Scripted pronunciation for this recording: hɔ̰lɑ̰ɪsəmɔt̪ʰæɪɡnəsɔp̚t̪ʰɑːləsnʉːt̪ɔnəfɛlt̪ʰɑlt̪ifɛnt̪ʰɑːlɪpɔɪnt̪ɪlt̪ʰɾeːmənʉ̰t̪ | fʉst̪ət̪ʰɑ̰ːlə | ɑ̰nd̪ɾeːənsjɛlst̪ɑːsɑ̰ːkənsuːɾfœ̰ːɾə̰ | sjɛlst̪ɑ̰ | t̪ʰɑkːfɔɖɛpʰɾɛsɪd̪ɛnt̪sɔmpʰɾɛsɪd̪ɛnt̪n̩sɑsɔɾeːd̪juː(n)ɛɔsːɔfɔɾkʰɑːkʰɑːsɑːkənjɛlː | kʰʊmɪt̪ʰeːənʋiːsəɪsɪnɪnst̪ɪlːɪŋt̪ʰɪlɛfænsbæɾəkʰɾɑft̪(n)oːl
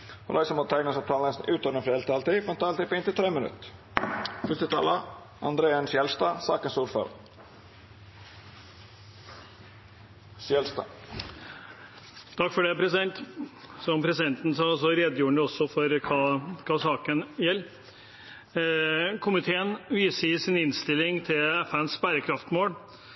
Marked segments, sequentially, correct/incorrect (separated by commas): incorrect, incorrect